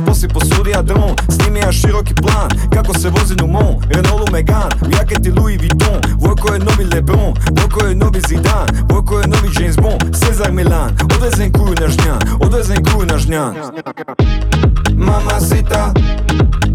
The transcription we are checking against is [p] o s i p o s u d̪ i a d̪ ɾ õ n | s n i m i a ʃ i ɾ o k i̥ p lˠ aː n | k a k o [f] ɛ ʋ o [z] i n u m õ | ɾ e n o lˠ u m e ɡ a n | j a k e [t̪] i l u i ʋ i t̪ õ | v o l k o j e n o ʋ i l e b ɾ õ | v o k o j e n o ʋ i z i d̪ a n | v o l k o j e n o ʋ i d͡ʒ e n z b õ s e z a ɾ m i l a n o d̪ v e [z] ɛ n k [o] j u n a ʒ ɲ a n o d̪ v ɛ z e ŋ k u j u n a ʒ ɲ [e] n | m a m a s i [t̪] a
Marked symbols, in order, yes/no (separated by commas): yes, no, yes, yes, yes, no, no, yes